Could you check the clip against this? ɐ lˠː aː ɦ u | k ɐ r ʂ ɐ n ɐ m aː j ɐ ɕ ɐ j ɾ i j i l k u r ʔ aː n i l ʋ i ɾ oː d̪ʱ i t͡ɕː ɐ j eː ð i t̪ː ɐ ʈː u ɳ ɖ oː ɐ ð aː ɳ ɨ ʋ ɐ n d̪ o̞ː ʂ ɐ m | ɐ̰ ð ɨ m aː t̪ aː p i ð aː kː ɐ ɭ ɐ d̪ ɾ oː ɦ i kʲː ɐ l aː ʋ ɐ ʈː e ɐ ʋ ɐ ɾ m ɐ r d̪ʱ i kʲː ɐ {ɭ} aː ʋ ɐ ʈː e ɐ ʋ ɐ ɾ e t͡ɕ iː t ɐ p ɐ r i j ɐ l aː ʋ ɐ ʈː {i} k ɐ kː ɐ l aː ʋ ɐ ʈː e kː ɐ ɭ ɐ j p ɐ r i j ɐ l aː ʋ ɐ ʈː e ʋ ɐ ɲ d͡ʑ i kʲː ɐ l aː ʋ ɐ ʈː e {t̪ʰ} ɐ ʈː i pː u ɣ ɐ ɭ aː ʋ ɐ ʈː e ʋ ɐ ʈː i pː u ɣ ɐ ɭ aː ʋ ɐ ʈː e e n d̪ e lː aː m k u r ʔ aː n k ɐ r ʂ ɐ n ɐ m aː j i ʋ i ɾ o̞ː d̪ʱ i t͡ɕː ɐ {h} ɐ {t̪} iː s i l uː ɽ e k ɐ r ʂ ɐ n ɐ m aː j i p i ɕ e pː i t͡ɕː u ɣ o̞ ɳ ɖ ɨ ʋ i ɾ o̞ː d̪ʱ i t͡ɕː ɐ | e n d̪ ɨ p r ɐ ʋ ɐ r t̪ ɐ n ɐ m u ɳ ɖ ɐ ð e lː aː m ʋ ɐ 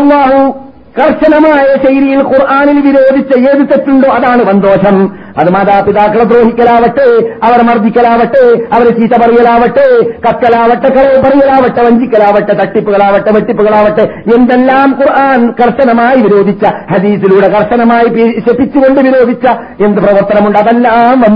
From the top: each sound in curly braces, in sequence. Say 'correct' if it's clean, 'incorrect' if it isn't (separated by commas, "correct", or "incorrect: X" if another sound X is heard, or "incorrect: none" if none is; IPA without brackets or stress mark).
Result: incorrect: l, incorrect: e, incorrect: t̪, correct, incorrect: d̪